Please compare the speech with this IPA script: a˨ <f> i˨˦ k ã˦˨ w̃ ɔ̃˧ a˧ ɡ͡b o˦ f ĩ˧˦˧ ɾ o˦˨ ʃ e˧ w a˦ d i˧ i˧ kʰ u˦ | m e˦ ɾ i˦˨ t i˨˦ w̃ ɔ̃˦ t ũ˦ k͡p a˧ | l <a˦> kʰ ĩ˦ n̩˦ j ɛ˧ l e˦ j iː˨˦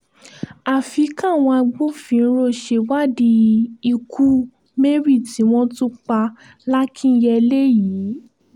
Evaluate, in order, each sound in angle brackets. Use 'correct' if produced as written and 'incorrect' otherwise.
correct, correct

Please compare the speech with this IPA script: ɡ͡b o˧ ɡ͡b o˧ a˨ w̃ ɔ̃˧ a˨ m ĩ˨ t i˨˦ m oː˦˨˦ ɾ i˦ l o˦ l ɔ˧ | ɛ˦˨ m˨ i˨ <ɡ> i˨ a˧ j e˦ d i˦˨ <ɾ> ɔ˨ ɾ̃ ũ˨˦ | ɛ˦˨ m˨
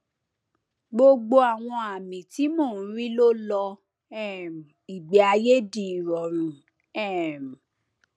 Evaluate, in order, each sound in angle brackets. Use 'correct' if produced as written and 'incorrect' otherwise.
incorrect: ɡ͡b, correct

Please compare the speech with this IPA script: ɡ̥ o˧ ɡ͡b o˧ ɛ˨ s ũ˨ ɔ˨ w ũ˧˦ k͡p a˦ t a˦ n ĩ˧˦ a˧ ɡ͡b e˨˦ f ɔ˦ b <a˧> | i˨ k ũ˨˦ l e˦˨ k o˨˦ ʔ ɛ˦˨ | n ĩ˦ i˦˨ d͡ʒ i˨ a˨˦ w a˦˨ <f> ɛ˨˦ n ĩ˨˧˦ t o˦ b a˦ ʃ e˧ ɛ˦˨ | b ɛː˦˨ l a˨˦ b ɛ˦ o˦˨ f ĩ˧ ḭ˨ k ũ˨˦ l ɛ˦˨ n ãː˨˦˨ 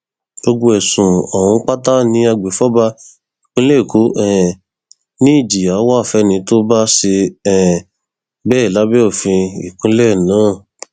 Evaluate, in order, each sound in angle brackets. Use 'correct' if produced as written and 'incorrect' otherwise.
correct, correct

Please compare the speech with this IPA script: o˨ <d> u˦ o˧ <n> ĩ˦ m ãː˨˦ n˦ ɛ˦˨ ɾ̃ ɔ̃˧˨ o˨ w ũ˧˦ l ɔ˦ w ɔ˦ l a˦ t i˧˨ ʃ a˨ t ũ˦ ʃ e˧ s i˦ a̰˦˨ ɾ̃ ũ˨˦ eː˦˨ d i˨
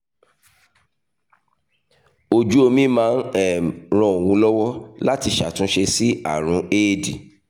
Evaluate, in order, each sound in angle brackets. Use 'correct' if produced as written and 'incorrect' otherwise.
incorrect: d͡ʒ, incorrect: m

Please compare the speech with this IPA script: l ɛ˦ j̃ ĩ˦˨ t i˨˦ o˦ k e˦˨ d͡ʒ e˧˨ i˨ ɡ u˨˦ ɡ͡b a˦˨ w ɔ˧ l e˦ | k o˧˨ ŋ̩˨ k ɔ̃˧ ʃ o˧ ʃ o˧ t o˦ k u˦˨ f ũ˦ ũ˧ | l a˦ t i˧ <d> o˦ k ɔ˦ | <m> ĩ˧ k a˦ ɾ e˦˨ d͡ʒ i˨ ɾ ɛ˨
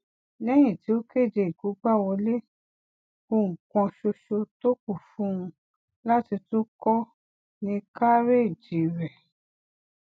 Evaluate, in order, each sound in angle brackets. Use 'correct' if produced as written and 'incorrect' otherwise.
incorrect: t, incorrect: n

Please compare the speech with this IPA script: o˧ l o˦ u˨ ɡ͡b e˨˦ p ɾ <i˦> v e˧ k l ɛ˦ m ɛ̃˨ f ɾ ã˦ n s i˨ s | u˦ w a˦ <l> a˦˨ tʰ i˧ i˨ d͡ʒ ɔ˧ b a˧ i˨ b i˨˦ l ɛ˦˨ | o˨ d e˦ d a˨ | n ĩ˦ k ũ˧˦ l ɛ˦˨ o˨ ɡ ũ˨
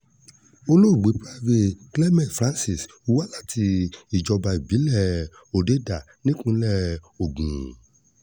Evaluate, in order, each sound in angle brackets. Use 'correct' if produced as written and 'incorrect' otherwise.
incorrect: a˦, correct

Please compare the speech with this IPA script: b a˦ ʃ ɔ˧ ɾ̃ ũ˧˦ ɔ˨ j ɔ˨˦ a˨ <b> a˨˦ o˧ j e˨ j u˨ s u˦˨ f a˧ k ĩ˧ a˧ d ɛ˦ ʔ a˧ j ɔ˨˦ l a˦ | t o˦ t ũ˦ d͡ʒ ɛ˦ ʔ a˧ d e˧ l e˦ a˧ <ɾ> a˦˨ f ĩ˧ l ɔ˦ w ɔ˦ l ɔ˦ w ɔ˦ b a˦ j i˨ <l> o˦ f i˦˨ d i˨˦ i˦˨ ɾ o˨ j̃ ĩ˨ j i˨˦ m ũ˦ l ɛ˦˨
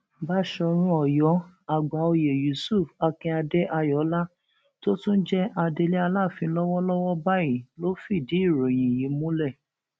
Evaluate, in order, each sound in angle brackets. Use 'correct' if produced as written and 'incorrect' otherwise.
incorrect: ɡ͡b, incorrect: l, correct

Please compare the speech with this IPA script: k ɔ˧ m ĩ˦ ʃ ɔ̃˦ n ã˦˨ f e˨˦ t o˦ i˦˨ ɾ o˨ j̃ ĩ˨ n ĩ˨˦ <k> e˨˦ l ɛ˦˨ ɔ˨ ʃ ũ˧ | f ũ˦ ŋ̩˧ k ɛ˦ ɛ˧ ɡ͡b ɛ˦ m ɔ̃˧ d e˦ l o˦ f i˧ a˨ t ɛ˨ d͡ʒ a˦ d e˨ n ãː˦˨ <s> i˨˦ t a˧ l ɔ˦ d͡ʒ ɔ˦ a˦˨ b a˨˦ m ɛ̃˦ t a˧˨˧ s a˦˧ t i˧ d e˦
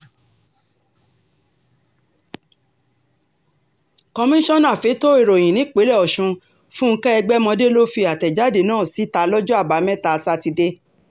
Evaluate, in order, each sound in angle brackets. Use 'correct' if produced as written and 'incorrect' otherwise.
incorrect: k͡p, correct

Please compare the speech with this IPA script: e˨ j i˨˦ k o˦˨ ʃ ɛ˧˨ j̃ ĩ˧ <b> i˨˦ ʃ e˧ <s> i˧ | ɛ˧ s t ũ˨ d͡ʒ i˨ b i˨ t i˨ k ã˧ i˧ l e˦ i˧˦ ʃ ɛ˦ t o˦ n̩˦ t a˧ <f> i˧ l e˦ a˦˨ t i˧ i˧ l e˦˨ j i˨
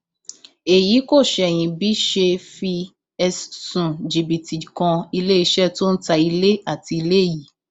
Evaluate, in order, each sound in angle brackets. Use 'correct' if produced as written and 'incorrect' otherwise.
correct, incorrect: f, incorrect: none

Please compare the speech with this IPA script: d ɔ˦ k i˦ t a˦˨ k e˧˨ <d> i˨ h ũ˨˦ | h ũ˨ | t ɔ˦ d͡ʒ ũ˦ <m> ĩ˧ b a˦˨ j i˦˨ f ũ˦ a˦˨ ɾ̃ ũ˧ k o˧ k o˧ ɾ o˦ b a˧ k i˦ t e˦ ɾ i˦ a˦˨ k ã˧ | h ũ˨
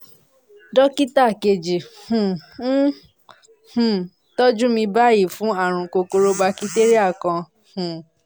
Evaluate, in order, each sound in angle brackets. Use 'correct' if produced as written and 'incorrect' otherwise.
incorrect: d͡ʒ, correct

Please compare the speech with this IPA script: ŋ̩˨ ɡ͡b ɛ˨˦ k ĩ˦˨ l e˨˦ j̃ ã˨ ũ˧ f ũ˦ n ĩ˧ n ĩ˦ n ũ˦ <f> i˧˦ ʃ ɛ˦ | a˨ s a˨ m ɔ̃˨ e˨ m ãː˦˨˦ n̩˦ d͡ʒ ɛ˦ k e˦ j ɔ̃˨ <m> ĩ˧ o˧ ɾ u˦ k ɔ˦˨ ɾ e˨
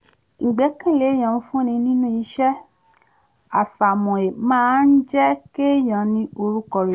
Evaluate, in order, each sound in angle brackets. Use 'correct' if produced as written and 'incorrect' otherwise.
incorrect: none, incorrect: n

